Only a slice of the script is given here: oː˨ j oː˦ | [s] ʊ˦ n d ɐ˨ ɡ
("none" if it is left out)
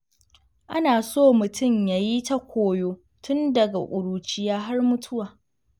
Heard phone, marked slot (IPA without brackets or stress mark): t